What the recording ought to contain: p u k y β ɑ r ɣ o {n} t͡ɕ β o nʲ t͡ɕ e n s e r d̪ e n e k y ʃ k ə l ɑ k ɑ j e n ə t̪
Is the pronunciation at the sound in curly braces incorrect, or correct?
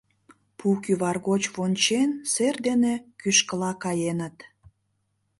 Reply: incorrect